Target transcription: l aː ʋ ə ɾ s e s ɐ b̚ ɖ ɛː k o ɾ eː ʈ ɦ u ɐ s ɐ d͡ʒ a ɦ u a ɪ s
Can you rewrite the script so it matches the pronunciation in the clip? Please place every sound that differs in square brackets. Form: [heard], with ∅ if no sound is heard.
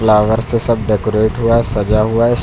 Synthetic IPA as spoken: l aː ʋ ə ɾ s e s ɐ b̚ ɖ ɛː k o ɾ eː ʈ ɦ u [a] s ɐ d͡ʒ a ɦ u a ɪ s